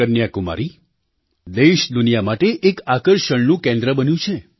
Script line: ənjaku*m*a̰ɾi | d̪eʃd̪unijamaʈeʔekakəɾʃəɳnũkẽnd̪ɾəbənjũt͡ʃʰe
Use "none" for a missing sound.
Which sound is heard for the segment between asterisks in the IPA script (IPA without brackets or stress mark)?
m